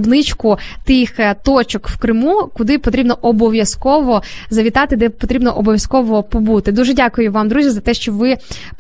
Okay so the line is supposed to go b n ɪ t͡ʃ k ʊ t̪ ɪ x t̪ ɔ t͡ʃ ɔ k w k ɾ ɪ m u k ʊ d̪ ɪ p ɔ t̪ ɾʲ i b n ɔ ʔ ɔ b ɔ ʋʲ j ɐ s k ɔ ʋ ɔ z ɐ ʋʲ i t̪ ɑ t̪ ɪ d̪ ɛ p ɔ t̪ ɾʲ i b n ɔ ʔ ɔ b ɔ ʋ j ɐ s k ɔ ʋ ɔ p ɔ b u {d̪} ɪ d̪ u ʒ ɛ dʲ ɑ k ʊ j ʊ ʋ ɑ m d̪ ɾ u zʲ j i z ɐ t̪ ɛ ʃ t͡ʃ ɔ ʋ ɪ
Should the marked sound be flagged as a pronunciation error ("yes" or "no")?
yes